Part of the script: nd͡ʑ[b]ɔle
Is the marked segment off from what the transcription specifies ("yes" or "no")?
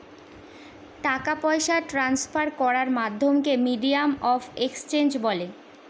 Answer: no